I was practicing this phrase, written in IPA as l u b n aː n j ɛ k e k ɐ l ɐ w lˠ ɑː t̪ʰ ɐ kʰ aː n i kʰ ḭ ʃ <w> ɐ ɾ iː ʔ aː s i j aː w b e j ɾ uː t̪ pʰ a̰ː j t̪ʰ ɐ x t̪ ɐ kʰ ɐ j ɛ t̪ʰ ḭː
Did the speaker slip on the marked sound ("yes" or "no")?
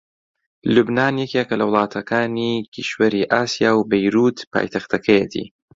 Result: no